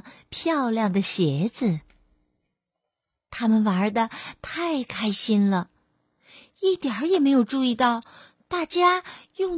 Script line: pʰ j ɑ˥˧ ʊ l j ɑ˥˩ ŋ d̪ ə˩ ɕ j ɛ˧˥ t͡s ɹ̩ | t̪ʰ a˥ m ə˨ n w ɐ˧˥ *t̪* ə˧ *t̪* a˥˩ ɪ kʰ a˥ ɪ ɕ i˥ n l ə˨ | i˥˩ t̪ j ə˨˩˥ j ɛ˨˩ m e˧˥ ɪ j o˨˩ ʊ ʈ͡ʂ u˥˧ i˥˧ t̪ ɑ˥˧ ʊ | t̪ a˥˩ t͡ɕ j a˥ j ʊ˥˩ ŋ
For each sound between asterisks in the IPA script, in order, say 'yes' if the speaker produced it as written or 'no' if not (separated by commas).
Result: no, no